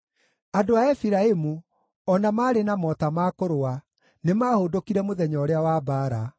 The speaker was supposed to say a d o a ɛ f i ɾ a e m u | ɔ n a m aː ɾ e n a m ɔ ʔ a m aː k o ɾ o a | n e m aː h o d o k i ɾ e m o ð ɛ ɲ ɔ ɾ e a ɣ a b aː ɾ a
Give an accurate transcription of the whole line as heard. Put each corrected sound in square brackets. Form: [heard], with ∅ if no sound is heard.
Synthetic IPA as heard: a d o a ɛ f i ɾ a e m u | ɔ n a m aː ɾ e n a m ɔ [t] a m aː k o ɾ o a | n e m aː h o d o k i ɾ [ɛ] m o ð ɛ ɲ ɔ ɾ e a [w] a b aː ɾ a